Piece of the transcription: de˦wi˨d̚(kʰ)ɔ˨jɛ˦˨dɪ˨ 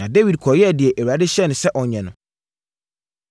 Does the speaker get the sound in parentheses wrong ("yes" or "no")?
no